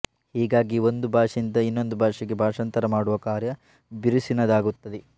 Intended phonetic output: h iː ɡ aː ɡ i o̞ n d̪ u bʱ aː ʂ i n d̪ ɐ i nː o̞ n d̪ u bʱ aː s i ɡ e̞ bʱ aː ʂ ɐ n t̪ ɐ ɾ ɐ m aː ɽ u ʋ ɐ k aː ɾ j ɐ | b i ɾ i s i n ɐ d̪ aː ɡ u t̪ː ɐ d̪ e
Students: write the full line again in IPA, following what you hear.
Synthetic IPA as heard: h iː ɡ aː ɡ i o̞ n d̪ u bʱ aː ʂ i n d̪ ɐ i nː o̞ n d̪ u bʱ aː ʂ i ɡ e̞ bʱ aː ʂ ɐ n t̪ ɐ ɾ ɐ m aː ɽ u ʋ ɐ k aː ɾ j ɐ | b i ɾ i s i n ɐ d̪ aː ɡ u t̪ː ɐ d̪ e